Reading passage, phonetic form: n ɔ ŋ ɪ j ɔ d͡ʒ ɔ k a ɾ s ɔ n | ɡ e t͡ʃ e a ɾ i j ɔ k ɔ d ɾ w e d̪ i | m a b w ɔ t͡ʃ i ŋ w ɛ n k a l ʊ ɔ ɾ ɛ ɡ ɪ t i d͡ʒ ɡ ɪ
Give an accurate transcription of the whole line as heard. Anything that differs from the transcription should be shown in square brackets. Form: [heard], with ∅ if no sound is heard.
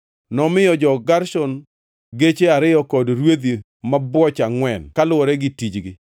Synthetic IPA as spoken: n ɔ [m] ɪ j ɔ d͡ʒ ɔ [ɡ] a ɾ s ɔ n | ɡ e t͡ʃ e a ɾ [ɪ] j ɔ k ɔ d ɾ w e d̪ i | m a b w ɔ t͡ʃ [a] ŋ w ɛ n k a l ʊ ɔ ɾ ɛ ɡ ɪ t i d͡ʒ ɡ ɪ